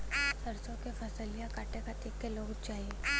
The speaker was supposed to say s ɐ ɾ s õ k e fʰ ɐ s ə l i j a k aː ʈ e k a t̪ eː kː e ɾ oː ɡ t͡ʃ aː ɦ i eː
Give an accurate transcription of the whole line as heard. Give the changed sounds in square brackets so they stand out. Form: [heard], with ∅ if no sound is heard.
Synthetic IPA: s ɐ ɾ s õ k e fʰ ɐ s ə l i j a k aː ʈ e k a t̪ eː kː e [l] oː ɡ t͡ʃ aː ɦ i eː